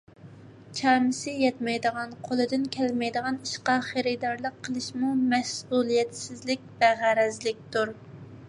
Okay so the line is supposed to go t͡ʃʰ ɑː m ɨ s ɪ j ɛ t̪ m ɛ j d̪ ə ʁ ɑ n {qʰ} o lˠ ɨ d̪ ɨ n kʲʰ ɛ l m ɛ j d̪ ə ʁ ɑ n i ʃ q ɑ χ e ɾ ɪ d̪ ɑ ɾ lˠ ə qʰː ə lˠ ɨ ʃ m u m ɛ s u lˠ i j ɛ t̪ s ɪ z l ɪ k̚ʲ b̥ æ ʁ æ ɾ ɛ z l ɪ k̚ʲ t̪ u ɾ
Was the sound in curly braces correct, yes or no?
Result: yes